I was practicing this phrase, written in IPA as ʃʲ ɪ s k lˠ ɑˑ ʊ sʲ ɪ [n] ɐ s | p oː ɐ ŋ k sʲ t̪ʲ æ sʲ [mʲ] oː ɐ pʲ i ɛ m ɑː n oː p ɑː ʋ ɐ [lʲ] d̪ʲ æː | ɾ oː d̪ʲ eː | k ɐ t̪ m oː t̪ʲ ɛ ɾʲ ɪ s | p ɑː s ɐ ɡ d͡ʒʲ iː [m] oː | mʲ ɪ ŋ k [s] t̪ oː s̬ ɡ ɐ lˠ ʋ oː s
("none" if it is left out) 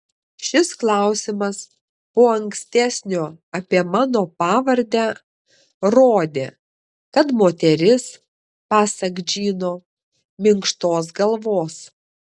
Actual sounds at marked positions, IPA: m, nʲ, ɾʲ, n, ʃ

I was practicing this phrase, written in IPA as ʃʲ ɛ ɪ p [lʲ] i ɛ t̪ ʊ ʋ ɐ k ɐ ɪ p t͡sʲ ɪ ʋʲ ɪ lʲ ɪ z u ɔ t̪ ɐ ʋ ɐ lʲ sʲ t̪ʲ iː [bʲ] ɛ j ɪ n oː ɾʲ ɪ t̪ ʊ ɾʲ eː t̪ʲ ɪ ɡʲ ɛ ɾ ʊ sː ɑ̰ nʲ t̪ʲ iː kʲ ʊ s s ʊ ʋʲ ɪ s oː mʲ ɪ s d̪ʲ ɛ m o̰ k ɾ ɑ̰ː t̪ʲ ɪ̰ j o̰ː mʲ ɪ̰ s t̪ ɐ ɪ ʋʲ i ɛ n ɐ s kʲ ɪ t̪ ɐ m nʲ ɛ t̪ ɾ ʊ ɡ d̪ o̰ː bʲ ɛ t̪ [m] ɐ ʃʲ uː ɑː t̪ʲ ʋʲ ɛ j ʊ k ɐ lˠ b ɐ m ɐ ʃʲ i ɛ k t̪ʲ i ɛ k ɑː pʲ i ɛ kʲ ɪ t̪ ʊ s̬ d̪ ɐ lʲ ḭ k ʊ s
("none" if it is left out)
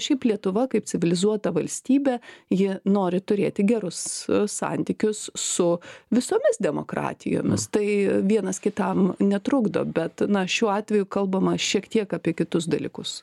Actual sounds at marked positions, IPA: lʲ, bʲ, n

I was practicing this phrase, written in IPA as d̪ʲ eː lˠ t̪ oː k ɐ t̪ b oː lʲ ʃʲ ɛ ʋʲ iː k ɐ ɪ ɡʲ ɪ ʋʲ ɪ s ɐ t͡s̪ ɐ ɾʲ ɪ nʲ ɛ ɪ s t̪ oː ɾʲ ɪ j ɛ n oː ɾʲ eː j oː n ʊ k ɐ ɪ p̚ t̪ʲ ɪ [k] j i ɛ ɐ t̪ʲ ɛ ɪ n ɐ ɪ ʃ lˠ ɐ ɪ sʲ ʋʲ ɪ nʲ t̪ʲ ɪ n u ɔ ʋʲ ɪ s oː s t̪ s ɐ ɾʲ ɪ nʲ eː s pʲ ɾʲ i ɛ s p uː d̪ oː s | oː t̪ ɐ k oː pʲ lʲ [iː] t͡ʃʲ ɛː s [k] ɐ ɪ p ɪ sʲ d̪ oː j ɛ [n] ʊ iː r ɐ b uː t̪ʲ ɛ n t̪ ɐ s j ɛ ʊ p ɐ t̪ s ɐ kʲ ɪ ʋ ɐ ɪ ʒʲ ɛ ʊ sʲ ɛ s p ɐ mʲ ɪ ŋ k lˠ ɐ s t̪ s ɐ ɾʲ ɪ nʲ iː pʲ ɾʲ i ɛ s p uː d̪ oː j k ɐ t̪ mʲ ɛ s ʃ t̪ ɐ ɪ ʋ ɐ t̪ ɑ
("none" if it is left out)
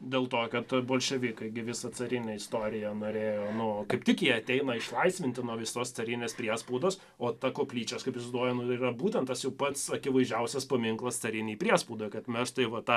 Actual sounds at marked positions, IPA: k, iː, k, n

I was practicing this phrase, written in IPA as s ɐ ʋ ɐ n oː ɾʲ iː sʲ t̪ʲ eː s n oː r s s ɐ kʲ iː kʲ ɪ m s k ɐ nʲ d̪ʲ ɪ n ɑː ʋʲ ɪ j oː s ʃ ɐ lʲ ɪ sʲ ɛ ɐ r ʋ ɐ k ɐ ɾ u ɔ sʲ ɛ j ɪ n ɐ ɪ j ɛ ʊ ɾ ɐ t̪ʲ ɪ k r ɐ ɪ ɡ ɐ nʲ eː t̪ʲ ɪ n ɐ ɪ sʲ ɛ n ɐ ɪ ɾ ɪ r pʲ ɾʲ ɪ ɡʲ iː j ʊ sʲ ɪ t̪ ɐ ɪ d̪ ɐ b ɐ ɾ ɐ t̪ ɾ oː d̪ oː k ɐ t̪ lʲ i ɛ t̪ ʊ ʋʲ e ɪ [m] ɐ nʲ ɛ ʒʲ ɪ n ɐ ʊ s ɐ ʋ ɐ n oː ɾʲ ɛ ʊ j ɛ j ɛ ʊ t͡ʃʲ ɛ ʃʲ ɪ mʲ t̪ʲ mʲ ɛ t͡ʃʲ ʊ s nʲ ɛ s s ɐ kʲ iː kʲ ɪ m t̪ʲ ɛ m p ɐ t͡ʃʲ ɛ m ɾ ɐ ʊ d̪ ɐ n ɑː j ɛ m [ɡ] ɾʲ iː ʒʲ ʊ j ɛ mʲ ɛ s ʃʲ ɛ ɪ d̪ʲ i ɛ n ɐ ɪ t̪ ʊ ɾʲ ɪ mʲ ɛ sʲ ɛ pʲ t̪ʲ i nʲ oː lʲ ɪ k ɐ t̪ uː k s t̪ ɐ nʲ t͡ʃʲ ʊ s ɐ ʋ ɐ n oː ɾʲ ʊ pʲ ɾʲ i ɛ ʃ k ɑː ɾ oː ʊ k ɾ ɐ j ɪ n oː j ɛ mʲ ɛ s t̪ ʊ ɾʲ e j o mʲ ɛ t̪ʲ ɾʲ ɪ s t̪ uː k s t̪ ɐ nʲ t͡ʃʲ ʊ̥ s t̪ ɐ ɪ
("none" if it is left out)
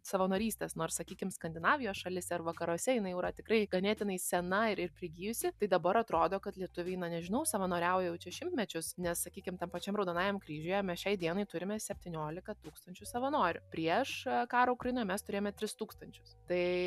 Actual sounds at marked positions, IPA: n, k

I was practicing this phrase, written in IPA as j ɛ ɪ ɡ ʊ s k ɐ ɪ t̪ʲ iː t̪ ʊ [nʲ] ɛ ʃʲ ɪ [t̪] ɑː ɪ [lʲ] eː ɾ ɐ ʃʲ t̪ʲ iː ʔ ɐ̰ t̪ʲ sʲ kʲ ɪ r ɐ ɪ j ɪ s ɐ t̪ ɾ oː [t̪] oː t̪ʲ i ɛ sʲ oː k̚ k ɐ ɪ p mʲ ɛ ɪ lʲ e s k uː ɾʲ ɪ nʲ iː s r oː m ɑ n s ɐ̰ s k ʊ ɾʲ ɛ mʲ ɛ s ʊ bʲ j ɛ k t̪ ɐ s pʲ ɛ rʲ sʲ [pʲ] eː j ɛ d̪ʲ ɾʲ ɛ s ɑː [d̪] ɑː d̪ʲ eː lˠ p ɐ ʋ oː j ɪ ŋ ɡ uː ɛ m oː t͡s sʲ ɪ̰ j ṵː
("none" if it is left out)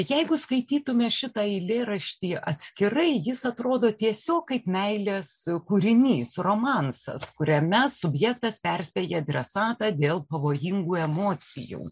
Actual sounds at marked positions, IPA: mʲ, t̪, lʲ, d̪, pʲ, t̪

